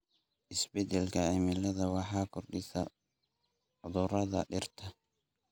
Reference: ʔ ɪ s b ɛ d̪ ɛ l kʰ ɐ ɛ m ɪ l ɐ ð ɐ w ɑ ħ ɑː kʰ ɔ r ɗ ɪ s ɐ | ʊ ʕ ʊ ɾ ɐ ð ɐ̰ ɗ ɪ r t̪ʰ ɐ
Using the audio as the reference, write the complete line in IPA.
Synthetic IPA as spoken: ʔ ɪ s b ɛ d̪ ɛ l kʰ ɐ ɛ m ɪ l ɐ ð ɐ w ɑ ħ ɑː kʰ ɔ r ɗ ɪ s ɐ | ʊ ð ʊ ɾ ɐ ð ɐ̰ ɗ ɪ r t̪ʰ ɐ